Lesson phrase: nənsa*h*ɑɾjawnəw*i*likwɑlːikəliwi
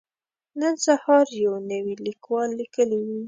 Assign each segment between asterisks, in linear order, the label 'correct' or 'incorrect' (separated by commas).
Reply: correct, correct